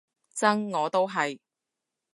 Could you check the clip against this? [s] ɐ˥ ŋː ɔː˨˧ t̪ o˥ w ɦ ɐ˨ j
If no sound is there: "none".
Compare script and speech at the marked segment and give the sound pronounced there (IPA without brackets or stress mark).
t͡s